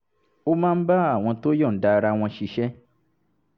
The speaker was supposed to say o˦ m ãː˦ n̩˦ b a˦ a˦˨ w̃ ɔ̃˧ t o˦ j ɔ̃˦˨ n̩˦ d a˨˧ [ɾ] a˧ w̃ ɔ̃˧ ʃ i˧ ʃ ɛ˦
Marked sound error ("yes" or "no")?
no